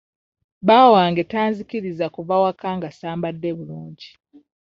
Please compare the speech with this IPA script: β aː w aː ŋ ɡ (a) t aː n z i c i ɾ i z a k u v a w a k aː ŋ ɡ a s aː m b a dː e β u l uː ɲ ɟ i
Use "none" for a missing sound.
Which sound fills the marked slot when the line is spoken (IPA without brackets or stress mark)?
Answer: e